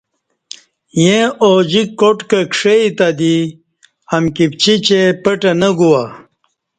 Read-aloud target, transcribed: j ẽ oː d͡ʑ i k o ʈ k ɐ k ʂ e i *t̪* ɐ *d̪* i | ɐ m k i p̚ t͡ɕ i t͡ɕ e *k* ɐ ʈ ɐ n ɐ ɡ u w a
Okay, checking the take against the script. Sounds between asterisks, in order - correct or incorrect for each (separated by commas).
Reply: correct, correct, incorrect